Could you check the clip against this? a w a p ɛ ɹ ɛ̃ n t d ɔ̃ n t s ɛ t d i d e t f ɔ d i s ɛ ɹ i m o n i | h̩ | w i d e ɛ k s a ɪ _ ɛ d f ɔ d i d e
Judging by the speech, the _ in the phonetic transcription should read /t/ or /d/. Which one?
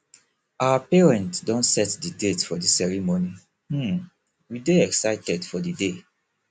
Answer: t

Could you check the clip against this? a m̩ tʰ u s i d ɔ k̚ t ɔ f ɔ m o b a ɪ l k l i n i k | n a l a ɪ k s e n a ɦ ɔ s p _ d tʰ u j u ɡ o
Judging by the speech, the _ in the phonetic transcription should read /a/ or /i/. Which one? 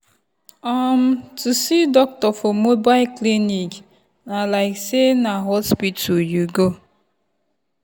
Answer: i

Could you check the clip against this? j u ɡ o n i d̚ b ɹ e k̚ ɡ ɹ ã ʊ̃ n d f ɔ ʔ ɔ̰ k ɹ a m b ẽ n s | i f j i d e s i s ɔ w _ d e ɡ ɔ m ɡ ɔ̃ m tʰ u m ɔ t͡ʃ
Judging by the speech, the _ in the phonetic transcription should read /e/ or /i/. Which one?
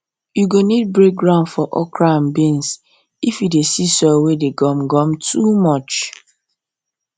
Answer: e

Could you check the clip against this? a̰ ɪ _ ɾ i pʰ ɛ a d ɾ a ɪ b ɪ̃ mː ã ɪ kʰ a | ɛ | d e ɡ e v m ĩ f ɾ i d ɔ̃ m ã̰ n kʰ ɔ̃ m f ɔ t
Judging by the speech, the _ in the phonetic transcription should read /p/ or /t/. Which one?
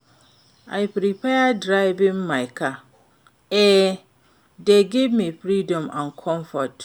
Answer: p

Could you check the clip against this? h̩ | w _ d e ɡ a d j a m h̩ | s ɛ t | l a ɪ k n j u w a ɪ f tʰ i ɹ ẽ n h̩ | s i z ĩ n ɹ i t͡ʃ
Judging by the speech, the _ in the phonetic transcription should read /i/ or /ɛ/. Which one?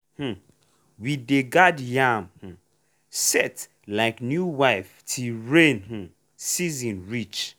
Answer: i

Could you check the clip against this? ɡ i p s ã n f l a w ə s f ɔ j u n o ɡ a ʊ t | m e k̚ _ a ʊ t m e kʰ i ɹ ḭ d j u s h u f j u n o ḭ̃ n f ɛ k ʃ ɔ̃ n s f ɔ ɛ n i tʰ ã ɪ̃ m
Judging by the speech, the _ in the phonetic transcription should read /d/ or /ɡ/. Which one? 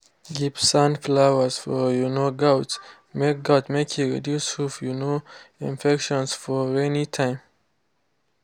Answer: ɡ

